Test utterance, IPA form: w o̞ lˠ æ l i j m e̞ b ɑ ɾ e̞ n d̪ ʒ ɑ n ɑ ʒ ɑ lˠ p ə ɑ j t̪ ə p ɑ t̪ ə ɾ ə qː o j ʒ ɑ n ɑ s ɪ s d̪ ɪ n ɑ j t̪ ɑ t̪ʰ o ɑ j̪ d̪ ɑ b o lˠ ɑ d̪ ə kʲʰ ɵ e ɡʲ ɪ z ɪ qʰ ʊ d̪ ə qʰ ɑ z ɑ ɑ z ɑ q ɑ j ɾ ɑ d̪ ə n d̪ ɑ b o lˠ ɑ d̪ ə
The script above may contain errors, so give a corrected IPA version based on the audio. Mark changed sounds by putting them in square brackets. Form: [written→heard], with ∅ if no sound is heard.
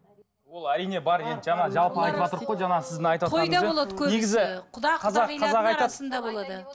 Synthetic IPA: w o̞ lˠ æ [l→ɾ] i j [m→n] e̞ b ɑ ɾ e̞ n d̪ ʒ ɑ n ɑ ʒ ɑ lˠ p ə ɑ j t̪ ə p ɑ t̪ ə ɾ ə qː o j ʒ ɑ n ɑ s ɪ [s→z] d̪ ɪ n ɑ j t̪ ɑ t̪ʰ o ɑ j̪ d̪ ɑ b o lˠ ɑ d̪ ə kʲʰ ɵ e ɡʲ ɪ z ɪ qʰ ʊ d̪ [ə→ɑ] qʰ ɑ z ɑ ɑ z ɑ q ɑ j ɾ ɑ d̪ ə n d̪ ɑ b o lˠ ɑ d̪ ə